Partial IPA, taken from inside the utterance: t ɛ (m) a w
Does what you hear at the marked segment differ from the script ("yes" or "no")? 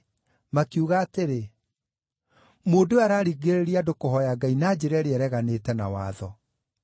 yes